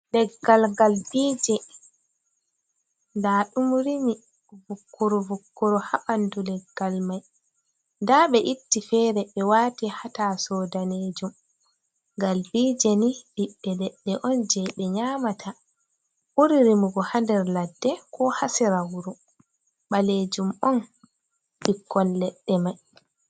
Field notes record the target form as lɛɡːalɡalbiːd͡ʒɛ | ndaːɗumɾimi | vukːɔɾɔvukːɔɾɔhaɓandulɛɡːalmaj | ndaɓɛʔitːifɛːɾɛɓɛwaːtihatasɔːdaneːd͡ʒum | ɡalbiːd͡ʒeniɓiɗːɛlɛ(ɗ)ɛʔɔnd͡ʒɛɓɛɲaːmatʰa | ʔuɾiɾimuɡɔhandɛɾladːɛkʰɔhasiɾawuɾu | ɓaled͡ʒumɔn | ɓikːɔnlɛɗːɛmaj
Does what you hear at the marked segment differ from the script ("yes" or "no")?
yes